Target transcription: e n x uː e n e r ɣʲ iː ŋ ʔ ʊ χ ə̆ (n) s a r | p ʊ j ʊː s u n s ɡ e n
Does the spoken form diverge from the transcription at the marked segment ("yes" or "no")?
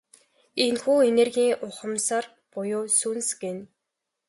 yes